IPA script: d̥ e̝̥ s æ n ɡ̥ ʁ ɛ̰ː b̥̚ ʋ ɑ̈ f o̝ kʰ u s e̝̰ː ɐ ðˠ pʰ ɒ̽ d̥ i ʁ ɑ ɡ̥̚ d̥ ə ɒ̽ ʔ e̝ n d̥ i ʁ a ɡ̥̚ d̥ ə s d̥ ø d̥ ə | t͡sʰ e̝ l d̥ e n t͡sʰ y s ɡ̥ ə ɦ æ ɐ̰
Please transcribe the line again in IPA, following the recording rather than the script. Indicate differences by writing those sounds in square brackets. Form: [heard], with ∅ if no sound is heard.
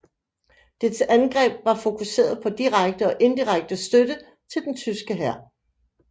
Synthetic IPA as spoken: d̥ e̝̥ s æ n ɡ̥ ʁ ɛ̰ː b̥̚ ʋ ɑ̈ f o̝ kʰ u s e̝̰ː ɐ ðˠ pʰ ɒ̽ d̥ i ʁ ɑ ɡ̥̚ d̥ ə ɒ̽ ʔ e̝ n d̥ i ʁ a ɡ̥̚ d̥ ə s d̥ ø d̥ ə | t͡sʰ e̝ l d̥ e n t͡sʰ y s ɡ̥ ə ɦ æ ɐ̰